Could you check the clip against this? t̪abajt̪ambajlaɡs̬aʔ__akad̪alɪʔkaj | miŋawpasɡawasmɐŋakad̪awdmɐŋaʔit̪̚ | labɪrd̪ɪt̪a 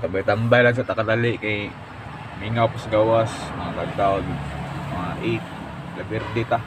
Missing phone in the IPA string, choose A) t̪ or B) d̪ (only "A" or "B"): A